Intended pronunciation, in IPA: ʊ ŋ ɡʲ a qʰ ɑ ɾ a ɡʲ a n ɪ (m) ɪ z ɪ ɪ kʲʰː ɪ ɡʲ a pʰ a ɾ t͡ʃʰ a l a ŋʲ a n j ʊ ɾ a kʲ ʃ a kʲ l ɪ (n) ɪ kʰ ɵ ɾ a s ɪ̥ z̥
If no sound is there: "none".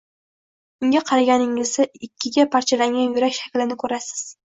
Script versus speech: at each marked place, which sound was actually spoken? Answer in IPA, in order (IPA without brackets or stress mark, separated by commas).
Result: ŋ, n